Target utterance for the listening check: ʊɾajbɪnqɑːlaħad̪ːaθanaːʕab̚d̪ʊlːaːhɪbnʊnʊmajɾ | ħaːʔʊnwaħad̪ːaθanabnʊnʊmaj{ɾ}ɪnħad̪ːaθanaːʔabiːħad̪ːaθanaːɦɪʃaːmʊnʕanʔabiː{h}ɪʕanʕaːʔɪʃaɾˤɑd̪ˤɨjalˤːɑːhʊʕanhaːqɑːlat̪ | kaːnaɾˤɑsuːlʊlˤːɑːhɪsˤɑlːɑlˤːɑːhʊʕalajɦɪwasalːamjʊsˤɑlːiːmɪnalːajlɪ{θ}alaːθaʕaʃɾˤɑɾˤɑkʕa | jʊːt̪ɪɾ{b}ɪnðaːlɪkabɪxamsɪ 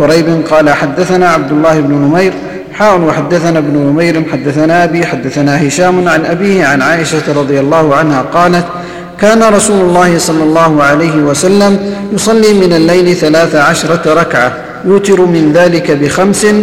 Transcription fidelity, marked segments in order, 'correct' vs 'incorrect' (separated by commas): correct, correct, correct, incorrect